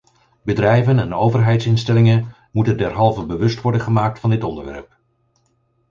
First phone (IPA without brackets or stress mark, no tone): b